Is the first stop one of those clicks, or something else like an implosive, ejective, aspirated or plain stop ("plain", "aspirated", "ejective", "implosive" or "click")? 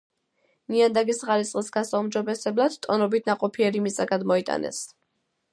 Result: plain